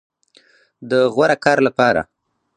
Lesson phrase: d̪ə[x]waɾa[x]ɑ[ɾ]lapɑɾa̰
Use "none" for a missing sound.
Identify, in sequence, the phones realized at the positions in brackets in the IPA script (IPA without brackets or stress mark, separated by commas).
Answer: ɣ, k, ɾ